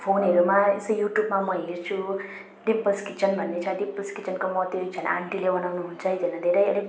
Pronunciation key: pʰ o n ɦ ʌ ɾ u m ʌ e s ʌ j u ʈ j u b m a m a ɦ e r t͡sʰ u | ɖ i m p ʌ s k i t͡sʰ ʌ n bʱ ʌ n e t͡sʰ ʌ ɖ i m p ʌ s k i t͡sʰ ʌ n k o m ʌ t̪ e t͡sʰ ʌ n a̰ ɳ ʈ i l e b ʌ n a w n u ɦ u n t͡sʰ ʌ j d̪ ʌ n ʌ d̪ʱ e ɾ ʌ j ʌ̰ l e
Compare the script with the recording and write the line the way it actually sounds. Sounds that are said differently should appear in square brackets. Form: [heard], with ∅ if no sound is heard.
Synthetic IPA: pʰ o n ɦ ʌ ɾ u m [a] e s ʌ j u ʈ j u b m a m [ʌ] ɦ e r t͡sʰ u | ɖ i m p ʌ s k i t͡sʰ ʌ n bʱ ʌ [nː] e t͡sʰ ʌ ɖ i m p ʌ s k i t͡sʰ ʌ n k o m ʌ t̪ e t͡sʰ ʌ n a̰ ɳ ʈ i l e b ʌ n a w n u ɦ u n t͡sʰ ʌ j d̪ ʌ n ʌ d̪ʱ e ɾ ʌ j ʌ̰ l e